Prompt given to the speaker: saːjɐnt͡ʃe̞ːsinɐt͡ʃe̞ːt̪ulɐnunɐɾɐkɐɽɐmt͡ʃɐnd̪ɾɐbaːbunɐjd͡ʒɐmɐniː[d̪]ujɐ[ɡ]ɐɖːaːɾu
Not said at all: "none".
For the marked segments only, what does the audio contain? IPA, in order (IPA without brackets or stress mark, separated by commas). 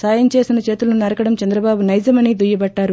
d̪, b